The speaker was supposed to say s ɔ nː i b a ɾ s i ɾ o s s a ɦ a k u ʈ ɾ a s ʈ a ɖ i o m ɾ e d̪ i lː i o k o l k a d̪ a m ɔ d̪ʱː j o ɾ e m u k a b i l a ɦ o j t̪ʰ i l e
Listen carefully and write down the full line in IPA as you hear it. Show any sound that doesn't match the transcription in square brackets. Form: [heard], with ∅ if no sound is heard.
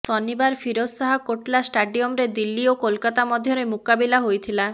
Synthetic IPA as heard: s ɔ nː i b a ɾ [f] i ɾ o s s a ɦ a k [o] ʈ [l] a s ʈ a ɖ i o m ɾ e d̪ i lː i o k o l k a [t̪] a m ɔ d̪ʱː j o ɾ e m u k a b i l a ɦ o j t̪ʰ i l [a]